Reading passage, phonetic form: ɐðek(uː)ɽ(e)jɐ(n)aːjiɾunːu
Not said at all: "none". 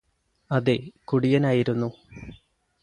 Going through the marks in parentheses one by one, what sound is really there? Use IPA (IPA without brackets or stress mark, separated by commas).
u, i, n